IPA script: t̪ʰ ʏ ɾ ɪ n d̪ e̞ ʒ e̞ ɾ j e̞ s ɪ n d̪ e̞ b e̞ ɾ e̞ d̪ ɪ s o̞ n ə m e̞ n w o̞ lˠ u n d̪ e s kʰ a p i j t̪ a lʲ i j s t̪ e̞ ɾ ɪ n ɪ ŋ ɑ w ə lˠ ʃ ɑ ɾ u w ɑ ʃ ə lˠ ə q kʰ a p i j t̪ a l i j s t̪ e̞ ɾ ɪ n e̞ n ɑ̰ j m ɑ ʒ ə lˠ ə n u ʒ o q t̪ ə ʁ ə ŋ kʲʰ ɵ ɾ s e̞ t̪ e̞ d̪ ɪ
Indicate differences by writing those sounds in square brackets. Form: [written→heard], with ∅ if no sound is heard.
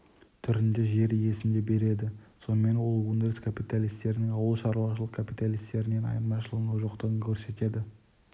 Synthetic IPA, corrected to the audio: t̪ʰ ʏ ɾ ɪ n d̪ e̞ ʒ e̞ ɾ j e̞ s ɪ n d̪ e̞ b e̞ ɾ e̞ d̪ ɪ s o̞ n ə m e̞ n w o̞ lˠ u n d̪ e s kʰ a p i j t̪ a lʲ i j s t̪ e̞ ɾ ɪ n ɪ ŋ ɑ w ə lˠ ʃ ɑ ɾ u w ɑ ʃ ə lˠ ə q kʰ a p i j t̪ a l i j s t̪ e̞ ɾ ɪ n e̞ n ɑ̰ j m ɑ [ʒ→ʃ] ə lˠ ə n u ʒ o q t̪ ə ʁ ə ŋ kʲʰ ɵ ɾ s e̞ t̪ e̞ d̪ ɪ